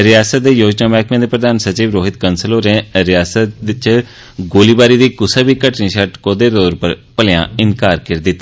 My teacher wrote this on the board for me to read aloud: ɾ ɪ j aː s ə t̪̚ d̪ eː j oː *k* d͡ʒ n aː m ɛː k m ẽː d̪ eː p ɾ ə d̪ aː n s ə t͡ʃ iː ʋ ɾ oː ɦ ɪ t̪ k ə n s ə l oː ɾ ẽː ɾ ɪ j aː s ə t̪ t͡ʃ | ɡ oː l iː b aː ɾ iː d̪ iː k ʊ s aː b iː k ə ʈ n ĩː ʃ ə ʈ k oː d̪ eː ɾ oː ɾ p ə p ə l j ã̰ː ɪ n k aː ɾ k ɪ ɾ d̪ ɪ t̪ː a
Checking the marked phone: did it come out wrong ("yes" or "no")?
yes